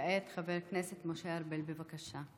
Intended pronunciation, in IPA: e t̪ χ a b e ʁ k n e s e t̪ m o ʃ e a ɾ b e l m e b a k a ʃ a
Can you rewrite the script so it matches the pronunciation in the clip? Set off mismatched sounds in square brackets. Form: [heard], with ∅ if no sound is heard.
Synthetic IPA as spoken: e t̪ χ a [v] e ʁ k n e s e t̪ m o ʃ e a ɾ b e l [b] e [v] a k a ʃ a